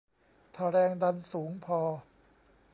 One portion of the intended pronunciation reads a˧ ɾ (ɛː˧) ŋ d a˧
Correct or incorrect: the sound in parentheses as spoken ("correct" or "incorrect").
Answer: correct